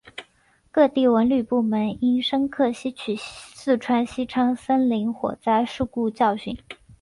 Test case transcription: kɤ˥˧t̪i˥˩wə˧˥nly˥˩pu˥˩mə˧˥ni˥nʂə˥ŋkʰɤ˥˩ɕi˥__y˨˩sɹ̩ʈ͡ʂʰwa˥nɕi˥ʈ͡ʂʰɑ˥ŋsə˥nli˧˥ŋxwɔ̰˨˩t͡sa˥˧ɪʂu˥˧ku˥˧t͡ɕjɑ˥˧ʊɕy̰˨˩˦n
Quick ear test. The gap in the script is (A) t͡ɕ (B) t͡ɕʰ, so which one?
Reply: B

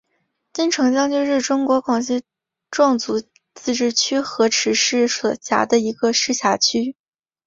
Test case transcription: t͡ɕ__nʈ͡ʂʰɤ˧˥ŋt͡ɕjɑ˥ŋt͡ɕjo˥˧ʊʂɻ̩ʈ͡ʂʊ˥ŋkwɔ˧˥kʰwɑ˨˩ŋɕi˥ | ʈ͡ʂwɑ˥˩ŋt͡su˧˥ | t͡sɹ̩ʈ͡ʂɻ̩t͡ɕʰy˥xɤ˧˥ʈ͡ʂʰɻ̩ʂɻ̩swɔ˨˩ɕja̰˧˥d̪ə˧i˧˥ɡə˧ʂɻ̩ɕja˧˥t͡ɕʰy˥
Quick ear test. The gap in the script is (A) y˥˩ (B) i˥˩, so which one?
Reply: B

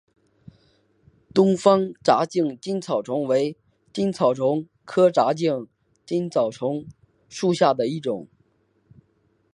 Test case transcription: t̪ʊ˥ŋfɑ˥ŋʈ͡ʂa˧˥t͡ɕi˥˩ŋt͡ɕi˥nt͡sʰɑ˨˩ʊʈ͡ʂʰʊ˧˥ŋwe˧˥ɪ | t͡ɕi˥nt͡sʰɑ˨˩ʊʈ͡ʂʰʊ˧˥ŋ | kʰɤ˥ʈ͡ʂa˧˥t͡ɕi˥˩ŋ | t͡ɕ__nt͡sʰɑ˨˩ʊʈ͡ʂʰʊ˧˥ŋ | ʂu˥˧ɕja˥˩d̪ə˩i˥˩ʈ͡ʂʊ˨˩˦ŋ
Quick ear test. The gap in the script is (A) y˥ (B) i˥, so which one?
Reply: B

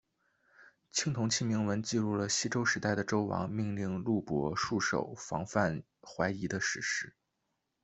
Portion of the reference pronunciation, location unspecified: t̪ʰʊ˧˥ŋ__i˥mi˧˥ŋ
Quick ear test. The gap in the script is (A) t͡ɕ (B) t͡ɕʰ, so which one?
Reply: B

